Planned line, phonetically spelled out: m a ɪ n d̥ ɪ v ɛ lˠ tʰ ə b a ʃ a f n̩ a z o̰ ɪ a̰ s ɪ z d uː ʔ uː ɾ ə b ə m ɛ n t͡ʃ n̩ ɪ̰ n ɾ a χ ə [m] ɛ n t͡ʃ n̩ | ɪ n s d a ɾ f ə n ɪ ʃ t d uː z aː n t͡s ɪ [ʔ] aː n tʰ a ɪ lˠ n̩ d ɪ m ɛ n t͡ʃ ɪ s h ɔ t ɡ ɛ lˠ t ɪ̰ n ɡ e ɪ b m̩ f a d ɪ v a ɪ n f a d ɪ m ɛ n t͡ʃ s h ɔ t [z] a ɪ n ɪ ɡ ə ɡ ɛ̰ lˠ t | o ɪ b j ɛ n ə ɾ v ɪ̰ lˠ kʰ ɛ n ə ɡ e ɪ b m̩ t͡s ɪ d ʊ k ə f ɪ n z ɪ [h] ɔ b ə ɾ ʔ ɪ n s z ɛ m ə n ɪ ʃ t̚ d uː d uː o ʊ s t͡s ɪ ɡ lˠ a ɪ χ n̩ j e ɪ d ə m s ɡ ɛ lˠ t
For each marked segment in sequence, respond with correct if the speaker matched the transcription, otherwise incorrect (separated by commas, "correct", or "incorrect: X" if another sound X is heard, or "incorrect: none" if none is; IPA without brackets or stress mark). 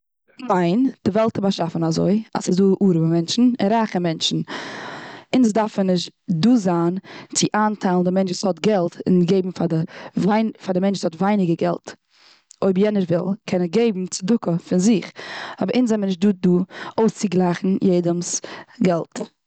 correct, correct, incorrect: v, incorrect: χ